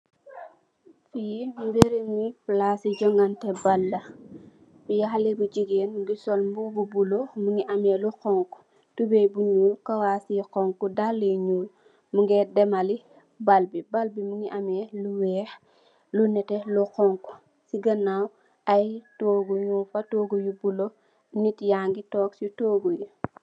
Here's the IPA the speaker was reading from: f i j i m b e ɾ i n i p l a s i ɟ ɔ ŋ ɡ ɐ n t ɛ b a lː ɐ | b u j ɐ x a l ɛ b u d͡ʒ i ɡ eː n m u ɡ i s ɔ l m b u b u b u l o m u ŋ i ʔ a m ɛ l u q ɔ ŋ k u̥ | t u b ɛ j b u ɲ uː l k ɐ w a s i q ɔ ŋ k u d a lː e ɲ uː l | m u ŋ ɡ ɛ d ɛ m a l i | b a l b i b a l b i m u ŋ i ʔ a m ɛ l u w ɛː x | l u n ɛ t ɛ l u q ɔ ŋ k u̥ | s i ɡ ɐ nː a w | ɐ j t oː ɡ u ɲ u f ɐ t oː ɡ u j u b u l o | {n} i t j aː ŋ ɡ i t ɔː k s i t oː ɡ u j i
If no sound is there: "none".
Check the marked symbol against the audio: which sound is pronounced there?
n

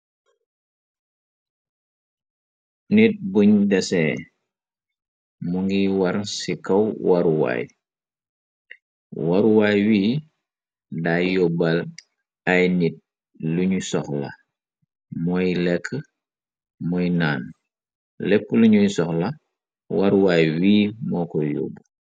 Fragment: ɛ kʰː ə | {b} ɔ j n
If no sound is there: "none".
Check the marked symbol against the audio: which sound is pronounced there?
m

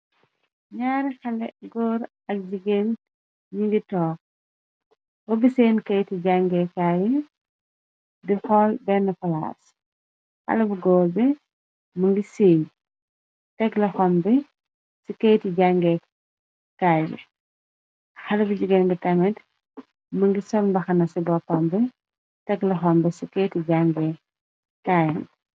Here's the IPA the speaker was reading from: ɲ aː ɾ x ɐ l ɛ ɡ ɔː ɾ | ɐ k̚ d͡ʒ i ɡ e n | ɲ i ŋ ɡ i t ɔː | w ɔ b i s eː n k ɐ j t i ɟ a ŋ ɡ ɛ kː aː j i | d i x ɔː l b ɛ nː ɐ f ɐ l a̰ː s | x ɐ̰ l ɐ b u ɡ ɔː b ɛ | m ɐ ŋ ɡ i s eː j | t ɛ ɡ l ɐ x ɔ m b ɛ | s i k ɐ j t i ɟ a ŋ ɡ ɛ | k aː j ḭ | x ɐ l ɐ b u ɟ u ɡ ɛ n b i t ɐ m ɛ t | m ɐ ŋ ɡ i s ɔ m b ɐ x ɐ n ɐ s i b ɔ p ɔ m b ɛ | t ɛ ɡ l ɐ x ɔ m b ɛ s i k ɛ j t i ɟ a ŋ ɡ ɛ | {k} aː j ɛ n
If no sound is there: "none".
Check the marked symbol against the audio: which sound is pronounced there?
k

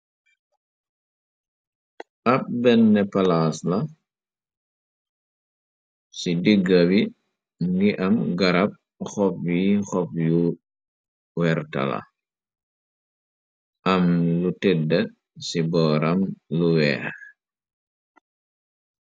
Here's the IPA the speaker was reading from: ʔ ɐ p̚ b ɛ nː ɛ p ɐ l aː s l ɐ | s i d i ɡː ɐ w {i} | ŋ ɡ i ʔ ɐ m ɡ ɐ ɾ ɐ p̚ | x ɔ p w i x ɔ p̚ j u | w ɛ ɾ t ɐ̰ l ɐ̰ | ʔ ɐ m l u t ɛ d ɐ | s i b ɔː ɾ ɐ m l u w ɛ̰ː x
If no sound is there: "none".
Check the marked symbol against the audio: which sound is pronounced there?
i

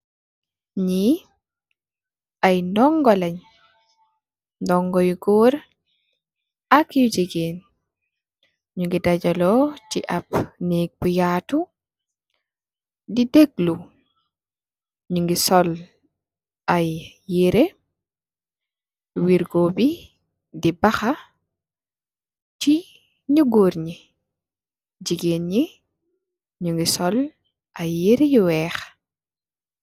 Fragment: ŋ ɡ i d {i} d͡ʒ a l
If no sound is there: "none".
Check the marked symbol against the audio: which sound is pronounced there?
a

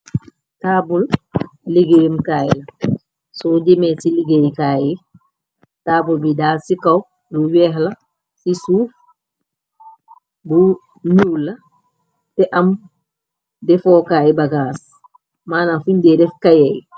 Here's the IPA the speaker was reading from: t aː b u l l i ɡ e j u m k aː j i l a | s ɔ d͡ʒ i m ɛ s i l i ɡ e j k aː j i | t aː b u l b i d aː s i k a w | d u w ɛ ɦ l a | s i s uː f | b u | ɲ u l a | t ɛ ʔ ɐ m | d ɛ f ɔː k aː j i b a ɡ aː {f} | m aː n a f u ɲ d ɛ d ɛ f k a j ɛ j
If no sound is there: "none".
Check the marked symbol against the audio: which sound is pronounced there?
s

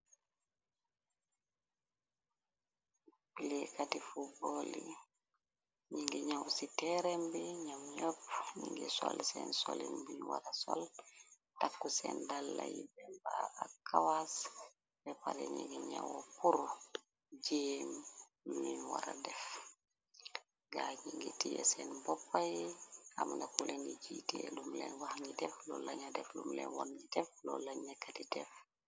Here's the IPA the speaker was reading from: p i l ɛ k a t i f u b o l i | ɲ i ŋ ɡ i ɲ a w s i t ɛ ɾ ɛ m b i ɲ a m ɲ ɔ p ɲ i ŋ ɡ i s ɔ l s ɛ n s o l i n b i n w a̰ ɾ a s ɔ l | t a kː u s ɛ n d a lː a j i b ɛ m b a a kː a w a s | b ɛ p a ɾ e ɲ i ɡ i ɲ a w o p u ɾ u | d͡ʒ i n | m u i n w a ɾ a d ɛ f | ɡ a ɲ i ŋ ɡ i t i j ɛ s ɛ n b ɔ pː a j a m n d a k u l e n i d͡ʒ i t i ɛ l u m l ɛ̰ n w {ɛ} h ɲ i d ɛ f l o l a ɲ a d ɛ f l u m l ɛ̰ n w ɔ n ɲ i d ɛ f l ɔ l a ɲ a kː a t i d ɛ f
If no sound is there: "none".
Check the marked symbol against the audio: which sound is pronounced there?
a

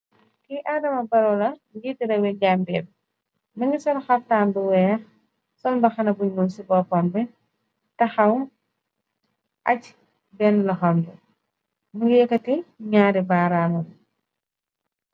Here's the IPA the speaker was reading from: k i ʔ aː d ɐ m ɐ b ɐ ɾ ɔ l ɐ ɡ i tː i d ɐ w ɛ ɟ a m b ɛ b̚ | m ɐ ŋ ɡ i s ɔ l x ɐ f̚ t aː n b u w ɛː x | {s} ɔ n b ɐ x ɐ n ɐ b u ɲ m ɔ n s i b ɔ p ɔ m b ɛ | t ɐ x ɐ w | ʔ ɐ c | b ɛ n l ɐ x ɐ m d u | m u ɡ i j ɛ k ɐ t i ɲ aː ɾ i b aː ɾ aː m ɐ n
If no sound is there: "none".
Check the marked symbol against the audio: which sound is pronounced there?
s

